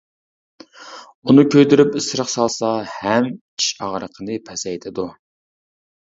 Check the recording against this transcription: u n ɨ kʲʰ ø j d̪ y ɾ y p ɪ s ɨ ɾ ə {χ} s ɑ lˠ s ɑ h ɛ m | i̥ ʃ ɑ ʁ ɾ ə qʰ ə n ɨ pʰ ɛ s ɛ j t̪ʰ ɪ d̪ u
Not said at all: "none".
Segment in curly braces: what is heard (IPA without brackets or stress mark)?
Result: χ